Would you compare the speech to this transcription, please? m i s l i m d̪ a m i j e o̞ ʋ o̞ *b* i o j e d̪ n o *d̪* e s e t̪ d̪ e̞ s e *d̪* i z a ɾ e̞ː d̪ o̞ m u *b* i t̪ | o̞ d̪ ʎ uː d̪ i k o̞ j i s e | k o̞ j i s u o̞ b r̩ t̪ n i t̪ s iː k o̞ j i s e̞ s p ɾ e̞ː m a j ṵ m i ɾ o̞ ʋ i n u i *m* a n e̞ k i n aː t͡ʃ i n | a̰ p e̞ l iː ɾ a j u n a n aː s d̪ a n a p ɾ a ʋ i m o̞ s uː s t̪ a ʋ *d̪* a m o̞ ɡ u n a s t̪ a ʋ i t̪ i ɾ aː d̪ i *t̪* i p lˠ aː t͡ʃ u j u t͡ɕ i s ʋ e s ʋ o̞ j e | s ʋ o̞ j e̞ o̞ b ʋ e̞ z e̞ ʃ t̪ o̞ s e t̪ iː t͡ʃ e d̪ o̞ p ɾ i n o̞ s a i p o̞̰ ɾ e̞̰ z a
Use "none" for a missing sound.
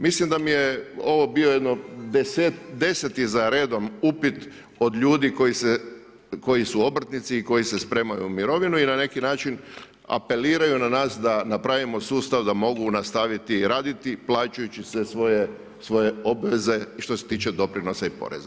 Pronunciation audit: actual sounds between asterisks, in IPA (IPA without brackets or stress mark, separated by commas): b, d̪, t̪, p, n, d̪, t̪